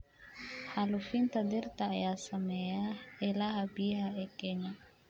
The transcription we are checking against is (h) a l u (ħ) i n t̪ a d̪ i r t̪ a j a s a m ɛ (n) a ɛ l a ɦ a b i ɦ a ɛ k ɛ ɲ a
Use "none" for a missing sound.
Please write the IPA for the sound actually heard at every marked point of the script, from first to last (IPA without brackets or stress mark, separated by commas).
h, f, none